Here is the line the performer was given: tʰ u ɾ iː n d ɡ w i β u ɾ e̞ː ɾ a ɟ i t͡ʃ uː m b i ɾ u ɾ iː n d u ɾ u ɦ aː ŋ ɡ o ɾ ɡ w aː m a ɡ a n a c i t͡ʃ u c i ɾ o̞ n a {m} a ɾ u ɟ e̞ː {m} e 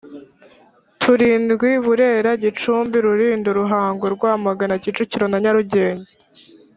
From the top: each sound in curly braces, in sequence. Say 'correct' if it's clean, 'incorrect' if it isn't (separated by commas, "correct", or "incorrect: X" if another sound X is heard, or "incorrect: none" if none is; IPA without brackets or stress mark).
incorrect: ɲ, incorrect: ɲ